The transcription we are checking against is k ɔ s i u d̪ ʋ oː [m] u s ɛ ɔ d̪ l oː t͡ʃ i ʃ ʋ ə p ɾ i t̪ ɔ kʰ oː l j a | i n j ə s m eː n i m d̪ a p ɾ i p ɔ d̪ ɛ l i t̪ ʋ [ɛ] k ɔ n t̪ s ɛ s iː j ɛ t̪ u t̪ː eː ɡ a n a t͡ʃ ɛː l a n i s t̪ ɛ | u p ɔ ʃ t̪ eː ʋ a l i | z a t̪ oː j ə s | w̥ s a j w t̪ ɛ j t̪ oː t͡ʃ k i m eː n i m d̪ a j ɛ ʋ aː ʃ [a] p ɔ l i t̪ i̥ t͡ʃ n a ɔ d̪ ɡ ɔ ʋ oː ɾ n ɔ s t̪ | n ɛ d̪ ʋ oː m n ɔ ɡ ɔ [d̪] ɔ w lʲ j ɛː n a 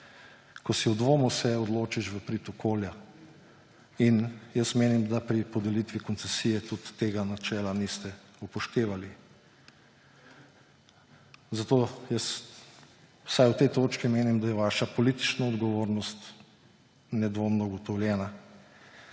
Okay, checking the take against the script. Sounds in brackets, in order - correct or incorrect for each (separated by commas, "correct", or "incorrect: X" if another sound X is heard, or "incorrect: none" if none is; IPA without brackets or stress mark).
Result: correct, incorrect: i, correct, incorrect: t̪